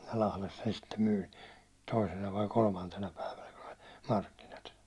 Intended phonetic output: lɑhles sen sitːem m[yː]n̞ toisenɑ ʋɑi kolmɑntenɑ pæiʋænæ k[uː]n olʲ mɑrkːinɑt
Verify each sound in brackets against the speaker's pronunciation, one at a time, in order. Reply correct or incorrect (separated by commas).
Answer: correct, incorrect